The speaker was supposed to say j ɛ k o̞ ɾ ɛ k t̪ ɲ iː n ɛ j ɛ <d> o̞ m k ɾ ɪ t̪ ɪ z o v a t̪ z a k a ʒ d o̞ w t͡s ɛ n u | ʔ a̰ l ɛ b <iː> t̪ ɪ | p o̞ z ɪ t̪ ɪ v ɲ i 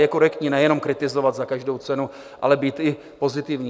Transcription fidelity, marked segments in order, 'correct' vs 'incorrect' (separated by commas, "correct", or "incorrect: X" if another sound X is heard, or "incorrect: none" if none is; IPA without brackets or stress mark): incorrect: n, correct